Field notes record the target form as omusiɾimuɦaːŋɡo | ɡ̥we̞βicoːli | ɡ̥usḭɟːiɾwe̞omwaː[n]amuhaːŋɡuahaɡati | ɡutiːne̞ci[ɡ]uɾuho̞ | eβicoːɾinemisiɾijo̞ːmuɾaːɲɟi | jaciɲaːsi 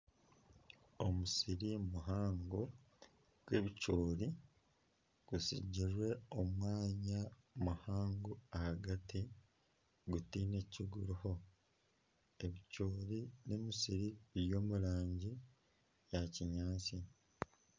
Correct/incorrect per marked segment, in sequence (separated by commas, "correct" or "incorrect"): incorrect, correct